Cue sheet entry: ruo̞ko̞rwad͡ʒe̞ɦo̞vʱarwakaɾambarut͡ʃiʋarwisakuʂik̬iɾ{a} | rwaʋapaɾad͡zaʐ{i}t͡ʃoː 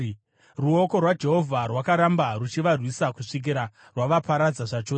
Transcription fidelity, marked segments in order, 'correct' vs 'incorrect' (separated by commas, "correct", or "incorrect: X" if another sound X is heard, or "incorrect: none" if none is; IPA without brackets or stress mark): correct, incorrect: a